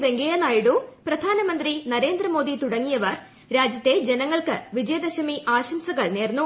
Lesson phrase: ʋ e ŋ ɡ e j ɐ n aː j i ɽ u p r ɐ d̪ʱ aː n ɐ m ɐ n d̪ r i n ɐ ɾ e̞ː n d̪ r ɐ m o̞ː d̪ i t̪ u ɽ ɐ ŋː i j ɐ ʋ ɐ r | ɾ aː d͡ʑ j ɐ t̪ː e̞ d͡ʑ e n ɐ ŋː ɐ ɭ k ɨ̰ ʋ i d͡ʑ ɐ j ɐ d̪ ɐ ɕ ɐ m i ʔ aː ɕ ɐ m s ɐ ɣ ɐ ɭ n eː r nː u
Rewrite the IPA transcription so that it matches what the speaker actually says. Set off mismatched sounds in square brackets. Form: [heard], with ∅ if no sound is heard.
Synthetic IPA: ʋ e ŋ ɡ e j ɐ n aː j i ɽ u p r ɐ d̪ʱ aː n ɐ m ɐ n d̪ r i n ɐ ɾ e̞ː n d̪ r ɐ m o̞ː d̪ i t̪ u ɽ ɐ ŋː i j ɐ ʋ ɐ r | ɾ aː d͡ʑ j ɐ t̪ː e̞ d͡ʑ e n ɐ ŋː ɐ ɭ k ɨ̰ ʋ i d͡ʑ ɐ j ɐ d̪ ɐ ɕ ɐ m i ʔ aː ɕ ɐ m s ɐ ɣ ɐ ɭ n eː r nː u